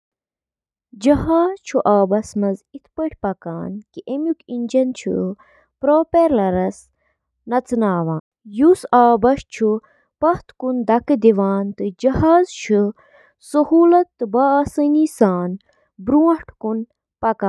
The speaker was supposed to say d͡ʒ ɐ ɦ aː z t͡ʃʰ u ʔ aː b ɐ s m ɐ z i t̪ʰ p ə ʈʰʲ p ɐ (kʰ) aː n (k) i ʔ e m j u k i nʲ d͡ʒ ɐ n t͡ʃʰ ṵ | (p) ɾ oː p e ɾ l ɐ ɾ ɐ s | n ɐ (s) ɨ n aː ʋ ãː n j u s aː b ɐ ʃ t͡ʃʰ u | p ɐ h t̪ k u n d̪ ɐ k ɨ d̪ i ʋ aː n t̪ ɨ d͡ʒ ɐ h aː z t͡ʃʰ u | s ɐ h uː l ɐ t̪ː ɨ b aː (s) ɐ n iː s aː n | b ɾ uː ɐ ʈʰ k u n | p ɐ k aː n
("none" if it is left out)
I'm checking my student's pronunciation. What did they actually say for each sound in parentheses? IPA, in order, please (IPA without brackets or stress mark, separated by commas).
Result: k, k, p, t͡s, s